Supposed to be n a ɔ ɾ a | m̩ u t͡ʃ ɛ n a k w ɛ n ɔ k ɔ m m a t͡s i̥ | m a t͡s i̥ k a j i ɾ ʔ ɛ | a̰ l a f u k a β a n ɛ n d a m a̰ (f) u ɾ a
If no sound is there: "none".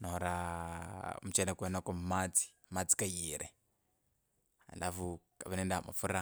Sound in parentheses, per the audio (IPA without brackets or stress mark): f